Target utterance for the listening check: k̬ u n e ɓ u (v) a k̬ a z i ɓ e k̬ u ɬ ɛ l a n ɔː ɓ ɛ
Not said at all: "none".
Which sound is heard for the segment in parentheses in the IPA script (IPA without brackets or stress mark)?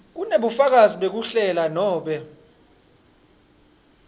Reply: f